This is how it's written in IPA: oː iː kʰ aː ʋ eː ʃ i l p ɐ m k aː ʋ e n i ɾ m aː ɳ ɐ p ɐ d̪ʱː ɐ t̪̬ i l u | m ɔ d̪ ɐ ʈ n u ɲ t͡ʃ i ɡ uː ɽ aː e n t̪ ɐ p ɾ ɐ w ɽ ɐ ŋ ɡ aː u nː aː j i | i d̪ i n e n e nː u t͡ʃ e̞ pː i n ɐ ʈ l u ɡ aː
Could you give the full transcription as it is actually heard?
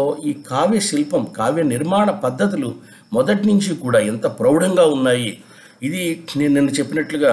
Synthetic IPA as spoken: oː iː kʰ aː ʋ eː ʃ i l p ɐ m k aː ʋ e n i ɾ m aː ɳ ɐ p ɐ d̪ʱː ɐ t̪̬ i l u | m ɔ d̪ ɐ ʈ n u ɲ t͡ʃ i k uː ɽ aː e n t̪ ɐ p ɾ ɐ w ɽ ɐ ŋ ɡ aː u nː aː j i | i d̪ i n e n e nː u t͡ʃ e̞ pː i n ɐ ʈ l u ɡ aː